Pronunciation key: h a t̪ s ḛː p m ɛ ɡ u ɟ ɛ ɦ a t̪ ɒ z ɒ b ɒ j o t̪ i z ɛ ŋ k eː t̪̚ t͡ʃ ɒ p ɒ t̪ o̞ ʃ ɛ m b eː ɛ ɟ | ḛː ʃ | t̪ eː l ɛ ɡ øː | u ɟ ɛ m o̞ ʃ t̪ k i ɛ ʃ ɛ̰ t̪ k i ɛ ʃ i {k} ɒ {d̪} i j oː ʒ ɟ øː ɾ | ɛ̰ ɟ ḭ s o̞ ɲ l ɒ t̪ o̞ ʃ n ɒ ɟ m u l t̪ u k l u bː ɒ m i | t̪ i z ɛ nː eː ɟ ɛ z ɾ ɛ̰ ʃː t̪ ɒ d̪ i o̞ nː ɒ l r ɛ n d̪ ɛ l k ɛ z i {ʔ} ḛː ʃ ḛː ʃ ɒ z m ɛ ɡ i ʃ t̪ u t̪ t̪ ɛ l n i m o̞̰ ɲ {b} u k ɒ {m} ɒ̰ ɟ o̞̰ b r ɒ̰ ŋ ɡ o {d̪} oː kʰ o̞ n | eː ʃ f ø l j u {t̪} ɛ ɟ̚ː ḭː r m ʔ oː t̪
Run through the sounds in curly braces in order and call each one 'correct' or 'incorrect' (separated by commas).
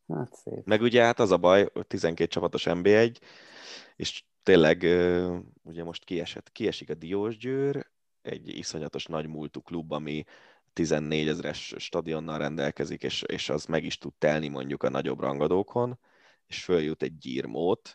correct, correct, incorrect, incorrect, incorrect, correct, correct